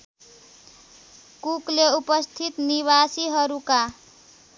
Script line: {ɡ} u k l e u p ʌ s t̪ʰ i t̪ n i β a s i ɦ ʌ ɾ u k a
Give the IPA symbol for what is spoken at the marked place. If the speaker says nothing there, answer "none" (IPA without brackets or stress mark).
k